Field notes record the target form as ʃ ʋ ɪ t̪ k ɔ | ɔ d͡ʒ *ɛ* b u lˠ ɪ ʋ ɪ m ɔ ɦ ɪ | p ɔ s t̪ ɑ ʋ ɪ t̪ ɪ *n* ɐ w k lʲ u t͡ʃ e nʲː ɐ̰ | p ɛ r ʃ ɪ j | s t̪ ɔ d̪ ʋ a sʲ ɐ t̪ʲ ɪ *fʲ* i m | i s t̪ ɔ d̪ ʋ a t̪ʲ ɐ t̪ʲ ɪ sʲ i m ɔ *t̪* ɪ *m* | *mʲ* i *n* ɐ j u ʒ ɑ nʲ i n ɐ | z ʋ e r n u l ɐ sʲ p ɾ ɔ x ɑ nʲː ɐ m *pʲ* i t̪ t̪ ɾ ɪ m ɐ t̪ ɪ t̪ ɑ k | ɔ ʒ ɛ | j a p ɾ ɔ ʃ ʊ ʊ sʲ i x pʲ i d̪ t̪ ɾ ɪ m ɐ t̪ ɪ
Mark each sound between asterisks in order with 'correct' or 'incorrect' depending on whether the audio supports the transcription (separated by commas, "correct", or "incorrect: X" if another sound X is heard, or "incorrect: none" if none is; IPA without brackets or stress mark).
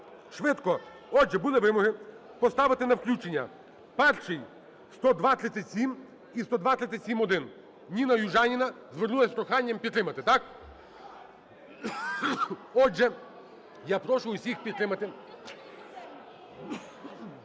correct, correct, incorrect: sʲ, incorrect: d̪, incorrect: n, incorrect: nʲ, correct, correct